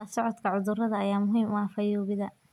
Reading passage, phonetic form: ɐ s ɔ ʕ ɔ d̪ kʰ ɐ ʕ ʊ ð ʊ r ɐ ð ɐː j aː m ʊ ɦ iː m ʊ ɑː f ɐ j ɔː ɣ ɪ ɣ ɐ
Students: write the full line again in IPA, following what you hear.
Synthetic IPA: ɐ s ɔ ʕ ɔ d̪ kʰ ɐ ʕ ʊ ð ʊ r ɐ ð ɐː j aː m ʊ ɦ iː m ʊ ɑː f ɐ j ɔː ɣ ɪ ð ɐ